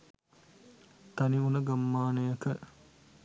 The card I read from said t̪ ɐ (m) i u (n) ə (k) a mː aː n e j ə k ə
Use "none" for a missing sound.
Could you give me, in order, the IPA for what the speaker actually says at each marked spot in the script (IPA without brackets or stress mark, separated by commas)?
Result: n, n, ɡ